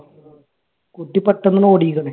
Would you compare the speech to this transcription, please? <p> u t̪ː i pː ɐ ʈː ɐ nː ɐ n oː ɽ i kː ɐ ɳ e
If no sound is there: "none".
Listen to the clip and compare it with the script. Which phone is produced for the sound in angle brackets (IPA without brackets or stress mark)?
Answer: k